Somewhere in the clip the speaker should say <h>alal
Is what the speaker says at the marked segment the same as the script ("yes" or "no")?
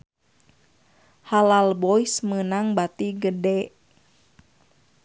yes